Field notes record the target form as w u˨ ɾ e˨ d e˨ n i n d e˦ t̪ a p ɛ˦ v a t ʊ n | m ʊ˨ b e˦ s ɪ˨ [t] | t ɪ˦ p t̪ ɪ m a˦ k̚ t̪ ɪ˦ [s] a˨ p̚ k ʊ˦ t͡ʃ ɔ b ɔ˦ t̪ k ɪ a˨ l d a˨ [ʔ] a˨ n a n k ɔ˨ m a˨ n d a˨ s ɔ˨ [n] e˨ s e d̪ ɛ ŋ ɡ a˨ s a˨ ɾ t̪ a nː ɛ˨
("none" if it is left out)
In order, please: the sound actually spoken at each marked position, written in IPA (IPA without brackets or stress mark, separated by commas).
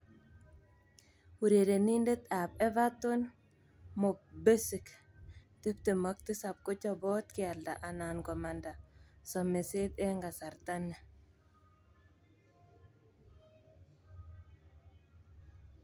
k, s, ʔ, m